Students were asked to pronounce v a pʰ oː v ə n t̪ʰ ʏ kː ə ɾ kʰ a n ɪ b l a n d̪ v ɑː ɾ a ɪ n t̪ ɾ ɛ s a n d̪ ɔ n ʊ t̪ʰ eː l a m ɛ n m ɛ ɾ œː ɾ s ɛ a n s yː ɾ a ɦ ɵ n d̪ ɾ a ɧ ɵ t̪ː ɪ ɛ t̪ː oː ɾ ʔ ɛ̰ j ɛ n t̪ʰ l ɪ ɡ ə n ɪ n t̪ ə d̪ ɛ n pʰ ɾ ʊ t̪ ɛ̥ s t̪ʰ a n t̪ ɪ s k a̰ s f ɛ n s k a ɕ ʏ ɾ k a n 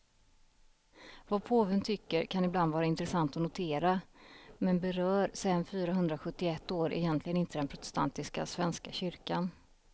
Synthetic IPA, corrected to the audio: v a pʰ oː v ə n t̪ʰ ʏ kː ə ɾ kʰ a n ɪ b l a n d̪ v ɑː ɾ a ɪ n t̪ ɾ ɛ s a n t̪ ɔ n ʊ t̪ʰ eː ɾ a m ɛ n b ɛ ɾ œː ɾ s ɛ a n f yː ɾ a ɦ ɵ n d̪ ɾ a ɧ ɵ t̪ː ɪ ɛ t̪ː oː ɾ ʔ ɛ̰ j ɛ n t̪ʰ l ɪ ɡ ə n ɪ n t̪ ə d̪ ɛ n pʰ ɾ ʊ t̪ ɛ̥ s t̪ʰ a n t̪ ɪ s k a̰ s v ɛ n s k a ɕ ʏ ɾ k a n

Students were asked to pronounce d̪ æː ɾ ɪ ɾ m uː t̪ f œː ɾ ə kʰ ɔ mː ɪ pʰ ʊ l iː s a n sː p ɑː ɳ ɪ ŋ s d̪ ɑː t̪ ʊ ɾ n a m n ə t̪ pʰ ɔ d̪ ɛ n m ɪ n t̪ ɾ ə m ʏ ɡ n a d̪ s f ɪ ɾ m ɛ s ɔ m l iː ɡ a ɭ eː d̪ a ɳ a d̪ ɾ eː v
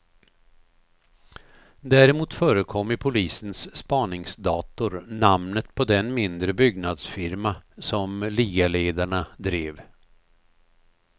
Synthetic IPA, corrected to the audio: d̪ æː ɾ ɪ m uː t̪ f œː ɾ ə kʰ ɔ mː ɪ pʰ ʊ l iː s ə n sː p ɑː ɳ ɪ ŋ s d̪ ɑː t̪ ʊ ɾ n a m n ə t̪ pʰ ɔ d̪ ɛ n m ɪ n d̪ ɾ ə b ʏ ɡ n a d̪ s f ɪ ɾ m a s ɔ m l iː ɡ a l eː d̪ a ɳ a d̪ ɾ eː v

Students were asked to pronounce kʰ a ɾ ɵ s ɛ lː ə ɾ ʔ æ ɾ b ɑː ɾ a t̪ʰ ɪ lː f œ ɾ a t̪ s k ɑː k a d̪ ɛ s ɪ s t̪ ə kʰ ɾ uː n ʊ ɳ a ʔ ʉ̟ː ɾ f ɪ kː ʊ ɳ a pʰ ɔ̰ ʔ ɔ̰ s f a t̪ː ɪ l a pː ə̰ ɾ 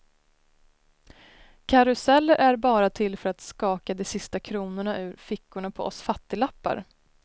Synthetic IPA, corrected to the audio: kʰ a ɾ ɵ s ɛ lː ə ɾ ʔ æ ɾ b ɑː ɾ a t̪ʰ ɪ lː f œ ɾ a t̪ s k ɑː k a d̪ ɛ s ɪ s t̪ a kʰ ɾ uː n ʊ ɳ a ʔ ʉ̟ː ɾ f ɪ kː ʊ ɳ a pʰ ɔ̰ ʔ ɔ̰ s f a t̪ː ɪ l a pː a̰ ɾ

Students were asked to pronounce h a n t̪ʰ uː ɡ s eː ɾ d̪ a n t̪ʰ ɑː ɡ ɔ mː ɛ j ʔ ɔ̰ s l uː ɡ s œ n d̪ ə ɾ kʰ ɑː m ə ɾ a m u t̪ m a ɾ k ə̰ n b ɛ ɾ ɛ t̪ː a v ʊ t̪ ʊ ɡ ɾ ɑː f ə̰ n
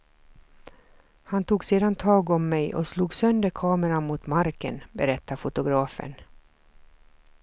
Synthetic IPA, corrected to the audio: h a n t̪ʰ uː ɡ s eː d̪ a n t̪ʰ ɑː ɡ ɔ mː ɛ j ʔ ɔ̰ s l uː ɡ s œ n d̪ ə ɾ kʰ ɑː m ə ɾ a m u t̪ m a ɾ k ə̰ n b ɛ ɾ ɛ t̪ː a f ʊ t̪ ʊ ɡ ɾ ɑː f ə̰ n

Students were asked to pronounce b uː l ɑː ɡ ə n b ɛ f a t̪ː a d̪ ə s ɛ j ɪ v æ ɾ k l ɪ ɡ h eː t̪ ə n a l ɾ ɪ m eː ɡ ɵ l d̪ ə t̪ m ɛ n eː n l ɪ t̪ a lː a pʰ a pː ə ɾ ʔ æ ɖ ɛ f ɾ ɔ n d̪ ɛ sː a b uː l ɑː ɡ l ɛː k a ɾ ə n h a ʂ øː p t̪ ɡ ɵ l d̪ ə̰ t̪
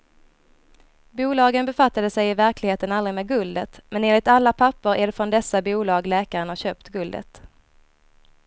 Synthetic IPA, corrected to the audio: b uː l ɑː ɡ ə n b ɛ f a t̪ː a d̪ ə s ɛ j ɪ v æ ɾ k l ɪ ɡ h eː t̪ ə n a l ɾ ɪ m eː ɡ ɵ l d̪ ə t̪ m ɛ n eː n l ɪ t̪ a lː a pʰ a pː ə ɾ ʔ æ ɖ ɛ f ɾ ɔ n d̪ ɛ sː a b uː l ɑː ɡ l ɛː k a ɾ ə n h a ɕ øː p t̪ ɡ ɵ l d̪ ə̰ t̪

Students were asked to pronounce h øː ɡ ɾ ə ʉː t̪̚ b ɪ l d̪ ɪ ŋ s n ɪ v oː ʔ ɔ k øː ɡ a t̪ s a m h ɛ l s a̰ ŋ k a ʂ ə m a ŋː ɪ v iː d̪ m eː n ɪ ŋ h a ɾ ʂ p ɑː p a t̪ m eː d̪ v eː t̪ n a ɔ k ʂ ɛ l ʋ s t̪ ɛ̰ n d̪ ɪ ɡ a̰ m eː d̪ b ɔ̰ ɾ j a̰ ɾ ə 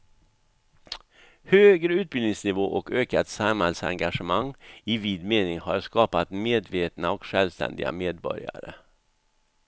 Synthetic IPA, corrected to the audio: h øː ɡ ɾ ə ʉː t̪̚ b ɪ l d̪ ɪ ŋ s n ɪ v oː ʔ ɔ k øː k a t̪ s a m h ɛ l s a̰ ŋ ɡ a ʂ ə m a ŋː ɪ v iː d̪ m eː n ɪ ŋ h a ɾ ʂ k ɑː p a t̪ m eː d̪ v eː t̪ n a ɔ k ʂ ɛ l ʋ s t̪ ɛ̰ n d̪ ɪ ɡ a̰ m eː d̪ b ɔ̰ ɾ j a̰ ɾ ə

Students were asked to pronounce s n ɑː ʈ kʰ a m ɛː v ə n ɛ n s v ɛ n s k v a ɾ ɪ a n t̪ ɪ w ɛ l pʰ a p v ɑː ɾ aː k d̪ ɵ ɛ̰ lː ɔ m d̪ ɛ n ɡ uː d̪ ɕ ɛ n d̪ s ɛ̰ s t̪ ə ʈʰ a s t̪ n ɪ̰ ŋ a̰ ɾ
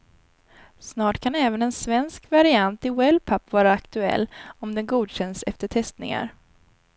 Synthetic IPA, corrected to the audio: s n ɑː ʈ kʰ a n ɛː v ə n ɛ n s v ɛ n s k v a ɾ ɪ a n t̪ ɪ w ɛ l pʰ a p v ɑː ɾ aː k t̪ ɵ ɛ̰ lː ɔ m d̪ ɛ n ɡ uː d̪ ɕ ɛ n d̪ s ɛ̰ f t̪ ə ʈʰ ɛ s t̪ n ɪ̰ ŋ a̰ ɾ

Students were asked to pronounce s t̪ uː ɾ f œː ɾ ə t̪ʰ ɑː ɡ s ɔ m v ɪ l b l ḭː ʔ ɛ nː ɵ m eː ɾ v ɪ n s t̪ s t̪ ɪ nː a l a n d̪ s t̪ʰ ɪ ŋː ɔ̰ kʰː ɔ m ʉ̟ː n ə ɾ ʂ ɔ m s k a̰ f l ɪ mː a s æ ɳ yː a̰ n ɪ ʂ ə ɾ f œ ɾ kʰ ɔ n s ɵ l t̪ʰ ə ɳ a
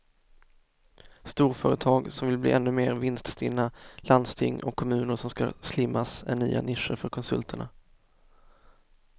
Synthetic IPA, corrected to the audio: s t̪ uː ɾ f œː ɾ ə t̪ʰ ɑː ɡ s ɔ m v ɪ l b l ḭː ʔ ɛ nː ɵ m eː ɾ v ɪ n s t̪ s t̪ ɪ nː a l a n d̪ s t̪ʰ ɪ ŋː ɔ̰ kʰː ɔ m ʉ̟ː n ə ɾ ʂ ɔ m s k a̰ s l ɪ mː a s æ ɳ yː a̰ n ɪ ʂ ə ɾ f œ ɾ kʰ ɔ n s ɵ l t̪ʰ ə ɳ a

